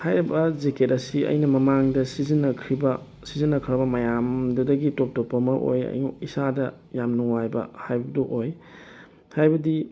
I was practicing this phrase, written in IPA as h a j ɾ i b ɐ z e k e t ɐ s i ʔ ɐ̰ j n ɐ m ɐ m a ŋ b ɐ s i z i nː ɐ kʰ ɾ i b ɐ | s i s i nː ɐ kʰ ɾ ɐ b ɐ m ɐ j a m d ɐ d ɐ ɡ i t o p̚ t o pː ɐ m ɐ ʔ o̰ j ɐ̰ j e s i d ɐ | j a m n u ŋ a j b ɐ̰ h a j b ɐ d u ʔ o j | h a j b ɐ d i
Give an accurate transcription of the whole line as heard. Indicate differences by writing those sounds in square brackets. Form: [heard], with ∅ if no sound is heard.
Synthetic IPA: h a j ɾ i b ɐ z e k e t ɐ s i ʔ ɐ̰ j n ɐ m ɐ m a ŋ [d] ɐ s i z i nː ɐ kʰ ɾ i b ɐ | s i [z] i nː ɐ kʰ ɾ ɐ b ɐ m ɐ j a m d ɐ d ɐ ɡ i t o p̚ t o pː ɐ m ɐ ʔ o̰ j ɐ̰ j [i] s [a] d ɐ | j a m n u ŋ a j b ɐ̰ h a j b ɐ d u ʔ o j | h a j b ɐ d i